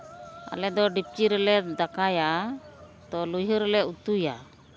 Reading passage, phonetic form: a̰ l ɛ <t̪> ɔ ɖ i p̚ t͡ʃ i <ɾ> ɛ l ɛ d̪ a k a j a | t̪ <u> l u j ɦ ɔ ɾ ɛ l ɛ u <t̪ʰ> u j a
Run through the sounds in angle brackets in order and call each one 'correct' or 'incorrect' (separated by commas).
incorrect, correct, incorrect, incorrect